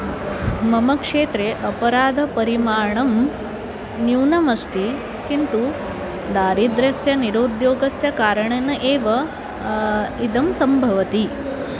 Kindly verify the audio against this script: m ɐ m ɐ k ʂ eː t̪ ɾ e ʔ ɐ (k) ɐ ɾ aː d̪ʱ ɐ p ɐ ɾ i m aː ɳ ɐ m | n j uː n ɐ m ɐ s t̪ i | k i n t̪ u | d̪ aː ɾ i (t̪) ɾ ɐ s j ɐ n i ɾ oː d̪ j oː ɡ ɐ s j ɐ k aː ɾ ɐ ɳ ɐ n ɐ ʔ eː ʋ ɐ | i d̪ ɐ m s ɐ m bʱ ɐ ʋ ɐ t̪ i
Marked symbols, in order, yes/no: no, no

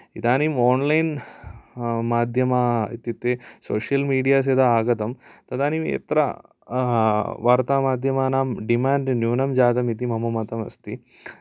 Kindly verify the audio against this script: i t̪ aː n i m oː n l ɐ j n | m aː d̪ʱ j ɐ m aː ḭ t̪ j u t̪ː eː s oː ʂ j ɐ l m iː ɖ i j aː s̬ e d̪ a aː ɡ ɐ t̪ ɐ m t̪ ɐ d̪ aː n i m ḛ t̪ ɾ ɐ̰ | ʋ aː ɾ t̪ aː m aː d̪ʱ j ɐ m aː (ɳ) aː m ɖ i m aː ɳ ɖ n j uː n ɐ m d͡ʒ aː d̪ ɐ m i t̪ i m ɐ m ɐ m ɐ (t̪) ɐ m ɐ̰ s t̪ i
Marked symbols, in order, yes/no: no, yes

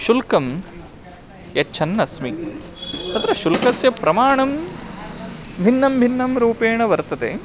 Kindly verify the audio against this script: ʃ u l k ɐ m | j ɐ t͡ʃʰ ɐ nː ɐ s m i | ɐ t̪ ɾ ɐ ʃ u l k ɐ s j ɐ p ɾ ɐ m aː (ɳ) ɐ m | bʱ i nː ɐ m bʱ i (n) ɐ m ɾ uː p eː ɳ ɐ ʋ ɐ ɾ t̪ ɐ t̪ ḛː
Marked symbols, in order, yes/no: yes, no

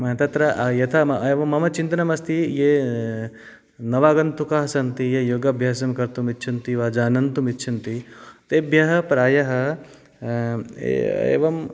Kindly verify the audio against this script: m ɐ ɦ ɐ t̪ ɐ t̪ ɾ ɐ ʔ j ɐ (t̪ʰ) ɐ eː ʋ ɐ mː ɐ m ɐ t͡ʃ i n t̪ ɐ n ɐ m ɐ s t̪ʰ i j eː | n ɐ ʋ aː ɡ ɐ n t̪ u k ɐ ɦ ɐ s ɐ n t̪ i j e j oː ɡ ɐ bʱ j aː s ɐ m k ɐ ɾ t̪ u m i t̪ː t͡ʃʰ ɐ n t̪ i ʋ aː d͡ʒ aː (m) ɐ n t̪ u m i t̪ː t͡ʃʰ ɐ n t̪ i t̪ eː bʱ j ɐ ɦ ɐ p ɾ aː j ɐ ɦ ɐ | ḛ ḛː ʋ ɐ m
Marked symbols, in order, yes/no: yes, no

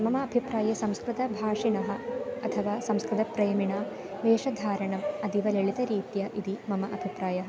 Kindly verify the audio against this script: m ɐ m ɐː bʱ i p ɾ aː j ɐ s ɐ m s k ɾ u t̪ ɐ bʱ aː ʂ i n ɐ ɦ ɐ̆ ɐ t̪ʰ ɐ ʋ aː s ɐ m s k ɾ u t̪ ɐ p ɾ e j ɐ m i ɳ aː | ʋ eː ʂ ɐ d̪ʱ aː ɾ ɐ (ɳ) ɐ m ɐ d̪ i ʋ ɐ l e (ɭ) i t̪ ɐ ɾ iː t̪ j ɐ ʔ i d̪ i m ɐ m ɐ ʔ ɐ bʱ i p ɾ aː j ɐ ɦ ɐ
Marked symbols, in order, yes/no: yes, yes

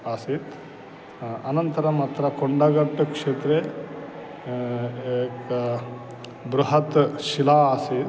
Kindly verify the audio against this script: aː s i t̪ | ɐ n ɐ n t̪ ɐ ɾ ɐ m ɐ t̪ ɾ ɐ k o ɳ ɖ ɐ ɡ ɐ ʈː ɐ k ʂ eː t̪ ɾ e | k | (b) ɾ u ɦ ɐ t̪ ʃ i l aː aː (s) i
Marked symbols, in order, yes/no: yes, yes

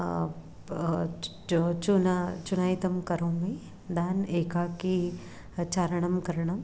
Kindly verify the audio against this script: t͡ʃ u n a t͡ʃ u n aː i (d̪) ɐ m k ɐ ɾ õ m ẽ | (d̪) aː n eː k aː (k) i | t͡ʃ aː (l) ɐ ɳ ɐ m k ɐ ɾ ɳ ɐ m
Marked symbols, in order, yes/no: no, yes, yes, no

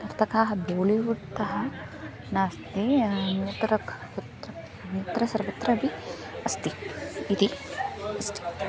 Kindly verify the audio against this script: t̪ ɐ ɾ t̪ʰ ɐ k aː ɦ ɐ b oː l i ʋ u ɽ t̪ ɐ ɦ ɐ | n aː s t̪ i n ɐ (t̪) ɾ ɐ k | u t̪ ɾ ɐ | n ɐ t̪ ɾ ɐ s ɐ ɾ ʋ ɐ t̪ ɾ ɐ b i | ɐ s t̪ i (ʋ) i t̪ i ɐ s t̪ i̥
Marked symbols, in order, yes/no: yes, no

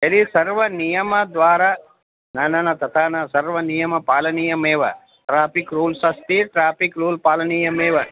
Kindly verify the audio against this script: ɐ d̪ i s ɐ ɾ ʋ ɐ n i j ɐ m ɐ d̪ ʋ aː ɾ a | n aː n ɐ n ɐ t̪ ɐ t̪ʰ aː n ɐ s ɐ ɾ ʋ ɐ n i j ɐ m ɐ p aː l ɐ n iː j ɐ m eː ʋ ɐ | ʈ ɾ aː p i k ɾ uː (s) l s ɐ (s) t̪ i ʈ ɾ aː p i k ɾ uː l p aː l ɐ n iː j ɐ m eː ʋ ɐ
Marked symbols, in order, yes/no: no, yes

